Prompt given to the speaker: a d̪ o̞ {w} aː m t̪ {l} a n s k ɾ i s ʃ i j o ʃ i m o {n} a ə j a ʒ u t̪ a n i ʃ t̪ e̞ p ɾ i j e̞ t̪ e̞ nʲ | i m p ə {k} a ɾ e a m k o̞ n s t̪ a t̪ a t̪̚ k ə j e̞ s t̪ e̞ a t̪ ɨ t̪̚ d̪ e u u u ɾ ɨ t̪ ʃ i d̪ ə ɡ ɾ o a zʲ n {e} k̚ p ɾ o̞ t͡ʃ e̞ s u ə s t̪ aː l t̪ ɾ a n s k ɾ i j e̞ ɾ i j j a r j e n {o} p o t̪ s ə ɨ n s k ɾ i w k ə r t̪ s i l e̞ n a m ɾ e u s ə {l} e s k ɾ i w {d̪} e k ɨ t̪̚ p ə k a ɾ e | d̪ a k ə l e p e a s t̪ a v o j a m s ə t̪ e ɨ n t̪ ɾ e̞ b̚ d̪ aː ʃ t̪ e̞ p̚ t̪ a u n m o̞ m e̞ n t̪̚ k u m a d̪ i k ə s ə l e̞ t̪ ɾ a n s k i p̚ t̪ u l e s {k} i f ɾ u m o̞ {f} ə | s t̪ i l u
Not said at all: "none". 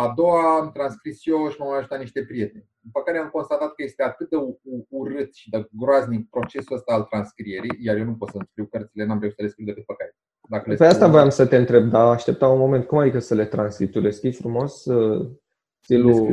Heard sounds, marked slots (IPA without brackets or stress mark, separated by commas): w, ɾ, m, k, i, u, l, d̪, k, s